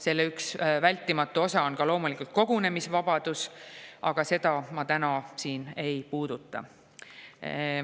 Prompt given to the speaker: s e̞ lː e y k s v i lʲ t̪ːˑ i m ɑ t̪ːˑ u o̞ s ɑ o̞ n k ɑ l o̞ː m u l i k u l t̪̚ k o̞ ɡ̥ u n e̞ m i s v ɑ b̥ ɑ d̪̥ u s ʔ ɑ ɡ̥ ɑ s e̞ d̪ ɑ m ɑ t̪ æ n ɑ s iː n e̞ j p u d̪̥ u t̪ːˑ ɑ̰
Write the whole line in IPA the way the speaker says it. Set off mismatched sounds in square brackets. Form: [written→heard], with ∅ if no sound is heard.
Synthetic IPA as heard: s e̞ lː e y k s v [i→æ] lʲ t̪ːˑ i m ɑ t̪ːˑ u o̞ s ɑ o̞ n k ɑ l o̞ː m u l i k u l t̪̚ k o̞ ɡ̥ u n e̞ m i s v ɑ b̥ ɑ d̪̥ u s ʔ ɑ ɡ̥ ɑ s e̞ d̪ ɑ m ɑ t̪ æ n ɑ s iː n e̞ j p [u→uː] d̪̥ u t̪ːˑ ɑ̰